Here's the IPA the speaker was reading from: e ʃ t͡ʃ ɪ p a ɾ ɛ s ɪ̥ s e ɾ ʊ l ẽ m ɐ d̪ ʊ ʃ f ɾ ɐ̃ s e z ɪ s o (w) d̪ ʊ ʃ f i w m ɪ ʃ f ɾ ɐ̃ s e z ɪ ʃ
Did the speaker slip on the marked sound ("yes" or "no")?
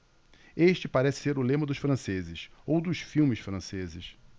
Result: no